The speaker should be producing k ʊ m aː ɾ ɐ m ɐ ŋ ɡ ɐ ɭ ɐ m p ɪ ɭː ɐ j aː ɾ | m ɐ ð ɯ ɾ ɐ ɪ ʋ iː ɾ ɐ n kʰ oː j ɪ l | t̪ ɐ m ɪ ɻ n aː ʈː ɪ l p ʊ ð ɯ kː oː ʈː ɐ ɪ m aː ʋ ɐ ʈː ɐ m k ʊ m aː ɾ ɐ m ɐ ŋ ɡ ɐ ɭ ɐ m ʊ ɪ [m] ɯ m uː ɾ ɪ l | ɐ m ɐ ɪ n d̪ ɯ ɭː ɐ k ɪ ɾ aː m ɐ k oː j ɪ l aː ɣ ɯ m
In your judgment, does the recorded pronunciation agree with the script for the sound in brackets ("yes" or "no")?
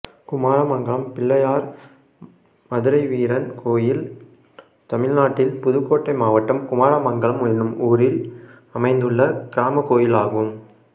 no